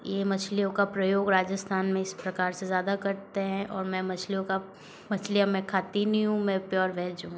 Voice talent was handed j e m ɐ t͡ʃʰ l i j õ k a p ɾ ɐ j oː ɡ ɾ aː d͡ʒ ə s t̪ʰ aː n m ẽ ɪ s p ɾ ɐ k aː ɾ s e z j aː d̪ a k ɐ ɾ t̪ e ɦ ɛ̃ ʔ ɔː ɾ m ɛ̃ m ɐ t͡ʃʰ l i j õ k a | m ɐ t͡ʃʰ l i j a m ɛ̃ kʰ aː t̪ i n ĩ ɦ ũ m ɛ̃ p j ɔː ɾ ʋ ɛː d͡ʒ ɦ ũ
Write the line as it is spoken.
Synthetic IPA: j e m ɐ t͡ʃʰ l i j õ k a p ɾ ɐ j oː ɡ ɾ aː d͡ʒ ə s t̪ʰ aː n m ẽ ɪ s p ɾ ɐ k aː ɾ s e z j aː d̪ a k ɐ ɾ t̪ e ɦ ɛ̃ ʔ ɔː ɾ m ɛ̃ m ɐ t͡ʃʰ l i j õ k a | m ɐ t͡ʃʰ l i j a m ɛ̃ kʰ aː t̪ i n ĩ ɦ ũ m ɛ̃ p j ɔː ɾ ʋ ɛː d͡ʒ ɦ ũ

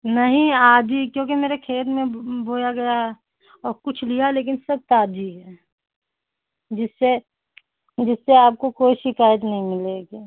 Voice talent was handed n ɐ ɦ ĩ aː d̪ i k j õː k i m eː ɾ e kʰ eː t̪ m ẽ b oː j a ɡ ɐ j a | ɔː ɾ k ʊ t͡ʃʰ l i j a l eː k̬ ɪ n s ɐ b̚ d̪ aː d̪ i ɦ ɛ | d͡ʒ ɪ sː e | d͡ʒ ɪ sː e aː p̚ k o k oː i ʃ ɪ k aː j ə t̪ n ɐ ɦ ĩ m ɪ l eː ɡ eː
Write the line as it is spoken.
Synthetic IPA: n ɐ ɦ ĩ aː d̪ i k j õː k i m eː ɾ e kʰ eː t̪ m ẽ b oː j a ɡ ɐ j a | ɔː ɾ k ʊ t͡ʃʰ l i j a l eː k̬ ɪ n s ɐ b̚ t̪ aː d̪ i ɦ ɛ | d͡ʒ ɪ sː e | d͡ʒ ɪ sː e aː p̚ k o k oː i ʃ ɪ k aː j ə t̪ n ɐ ɦ ĩ m ɪ l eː ɡ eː

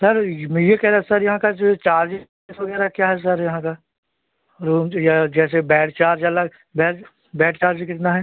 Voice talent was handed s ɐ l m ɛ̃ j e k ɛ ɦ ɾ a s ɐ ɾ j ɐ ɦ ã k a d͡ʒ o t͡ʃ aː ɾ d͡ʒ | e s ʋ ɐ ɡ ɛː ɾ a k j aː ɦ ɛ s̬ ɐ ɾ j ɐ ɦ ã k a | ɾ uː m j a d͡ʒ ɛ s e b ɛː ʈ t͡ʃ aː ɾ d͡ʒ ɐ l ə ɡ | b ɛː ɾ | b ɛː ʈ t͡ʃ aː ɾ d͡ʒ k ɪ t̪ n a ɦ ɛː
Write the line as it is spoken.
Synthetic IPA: s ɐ ɾ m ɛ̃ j e k ɛ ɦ ɾ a s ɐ ɾ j ɐ ɦ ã k a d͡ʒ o t͡ʃ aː ɾ d͡ʒ | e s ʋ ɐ ɡ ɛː ɾ a k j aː ɦ ɛ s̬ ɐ ɾ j ɐ ɦ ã k a | ɾ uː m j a d͡ʒ ɛː s e b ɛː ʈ t͡ʃ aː ɾ d͡ʒ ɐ l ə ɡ | b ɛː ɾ | b ɛː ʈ t͡ʃ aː ɾ d͡ʒ k ɪ t̪ n a ɦ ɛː

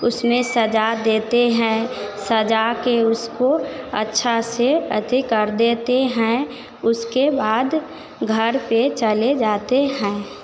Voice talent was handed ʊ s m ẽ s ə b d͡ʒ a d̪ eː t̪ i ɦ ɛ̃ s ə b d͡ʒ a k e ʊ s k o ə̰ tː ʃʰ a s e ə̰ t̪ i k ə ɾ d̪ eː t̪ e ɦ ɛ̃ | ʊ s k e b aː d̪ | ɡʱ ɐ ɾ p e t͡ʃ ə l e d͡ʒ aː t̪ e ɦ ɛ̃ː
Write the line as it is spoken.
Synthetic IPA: ʊ s m ẽ s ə d͡ʒ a d̪ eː t̪ e ɦ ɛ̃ s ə d͡ʒ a k e ʊ s k o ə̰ tː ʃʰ a s e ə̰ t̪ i k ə ɾ d̪ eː t̪ e ɦ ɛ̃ | ʊ s k e b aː d̪ | ɡʱ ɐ ɾ p e t͡ʃ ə l e d͡ʒ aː t̪ e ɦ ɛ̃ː

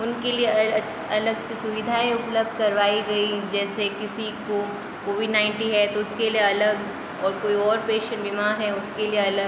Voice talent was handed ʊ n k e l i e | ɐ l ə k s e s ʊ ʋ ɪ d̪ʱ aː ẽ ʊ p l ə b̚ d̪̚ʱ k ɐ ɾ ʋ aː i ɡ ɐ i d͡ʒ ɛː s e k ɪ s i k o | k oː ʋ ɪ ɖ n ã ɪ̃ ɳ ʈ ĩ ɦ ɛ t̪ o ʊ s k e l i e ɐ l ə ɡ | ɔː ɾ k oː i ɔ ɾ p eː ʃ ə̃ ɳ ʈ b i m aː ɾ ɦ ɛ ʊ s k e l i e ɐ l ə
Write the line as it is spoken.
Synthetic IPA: ʊ n k e l i e | ɐ l ə ɡ s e s ʊ ʋ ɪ d̪ʱ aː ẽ ʊ p l ə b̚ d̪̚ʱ k ɐ ɾ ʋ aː i ɡ ɐ i d͡ʒ ɛː s e k ɪ s i k o | k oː ʋ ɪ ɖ n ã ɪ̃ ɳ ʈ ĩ ɦ ɛ t̪ o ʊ s k e l i e ɐ l ə ɡ | ɔː ɾ k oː i ɔː ɾ p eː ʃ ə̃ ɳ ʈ b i m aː ɾ ɦ ɛ ʊ s k e l i e ɐ l ə

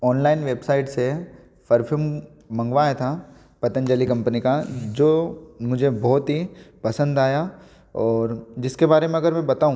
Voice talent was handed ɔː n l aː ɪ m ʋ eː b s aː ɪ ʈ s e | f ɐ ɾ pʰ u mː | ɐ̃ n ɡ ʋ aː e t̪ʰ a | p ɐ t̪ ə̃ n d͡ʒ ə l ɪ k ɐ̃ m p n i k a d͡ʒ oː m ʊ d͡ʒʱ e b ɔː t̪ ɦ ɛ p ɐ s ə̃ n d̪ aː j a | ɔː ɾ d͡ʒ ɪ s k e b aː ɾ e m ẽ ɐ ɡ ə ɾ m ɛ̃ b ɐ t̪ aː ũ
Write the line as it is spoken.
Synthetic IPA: ɔː n l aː ɪ n ʋ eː b s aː ɪ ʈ s e | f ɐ ɾ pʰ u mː | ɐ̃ ŋ ɡ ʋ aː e t̪ʰ a | p ɐ t̪ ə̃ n d͡ʒ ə l i k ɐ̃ m p n i k a d͡ʒ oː m ʊ d͡ʒʱ e b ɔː t̪ ɦ i p ɐ s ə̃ n d̪ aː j a | ɔː ɾ d͡ʒ ɪ s k e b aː ɾ e m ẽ ɐ ɡ ə ɾ m ɛ̃ b ɐ t̪ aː ũ

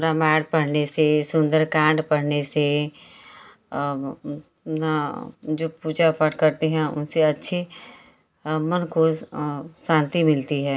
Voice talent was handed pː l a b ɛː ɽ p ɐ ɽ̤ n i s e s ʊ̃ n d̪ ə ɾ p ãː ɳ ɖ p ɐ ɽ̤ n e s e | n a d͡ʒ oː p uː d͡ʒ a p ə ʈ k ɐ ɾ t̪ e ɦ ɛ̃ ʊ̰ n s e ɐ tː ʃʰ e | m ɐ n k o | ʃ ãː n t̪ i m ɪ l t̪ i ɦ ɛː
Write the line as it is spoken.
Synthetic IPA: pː ɾ a m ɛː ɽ p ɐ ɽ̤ n e s e s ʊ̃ n d̪ ə ɾ k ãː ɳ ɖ p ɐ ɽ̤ n e s e | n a d͡ʒ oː p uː d͡ʒ a p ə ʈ k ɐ ɾ t̪ e ɦ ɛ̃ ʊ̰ n s e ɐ tː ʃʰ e | m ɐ n k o | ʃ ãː n t̪ i m ɪ l t̪ i ɦ ɛː

